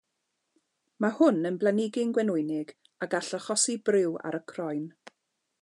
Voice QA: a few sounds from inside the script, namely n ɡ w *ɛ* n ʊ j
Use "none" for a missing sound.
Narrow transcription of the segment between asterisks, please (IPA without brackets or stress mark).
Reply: ɛ